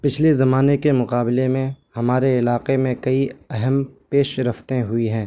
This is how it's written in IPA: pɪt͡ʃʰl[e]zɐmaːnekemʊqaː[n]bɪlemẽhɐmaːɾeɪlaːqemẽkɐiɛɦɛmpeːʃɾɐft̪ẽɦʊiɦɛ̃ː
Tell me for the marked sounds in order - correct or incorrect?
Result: correct, incorrect

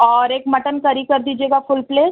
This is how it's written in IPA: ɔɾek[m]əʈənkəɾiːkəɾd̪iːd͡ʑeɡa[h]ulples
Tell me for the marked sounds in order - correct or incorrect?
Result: correct, incorrect

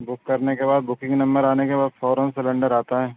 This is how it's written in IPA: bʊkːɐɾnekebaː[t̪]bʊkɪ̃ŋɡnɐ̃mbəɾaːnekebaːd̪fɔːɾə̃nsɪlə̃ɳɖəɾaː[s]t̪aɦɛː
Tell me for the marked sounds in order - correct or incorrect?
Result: incorrect, incorrect

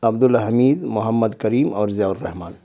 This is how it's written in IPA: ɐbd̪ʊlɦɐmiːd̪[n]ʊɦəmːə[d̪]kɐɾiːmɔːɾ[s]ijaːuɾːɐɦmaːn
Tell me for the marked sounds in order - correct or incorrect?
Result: incorrect, correct, incorrect

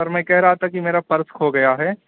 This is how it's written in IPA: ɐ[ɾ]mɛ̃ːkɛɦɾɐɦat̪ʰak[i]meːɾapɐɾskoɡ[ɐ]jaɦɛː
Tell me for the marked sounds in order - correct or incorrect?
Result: correct, correct, correct

